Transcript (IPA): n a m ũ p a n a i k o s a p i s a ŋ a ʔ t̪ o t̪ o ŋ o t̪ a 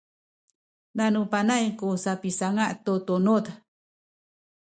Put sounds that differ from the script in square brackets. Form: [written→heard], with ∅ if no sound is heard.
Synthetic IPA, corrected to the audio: n a [m→n] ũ p a n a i k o s a p i s a ŋ a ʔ t̪ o t̪ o [ŋ→n] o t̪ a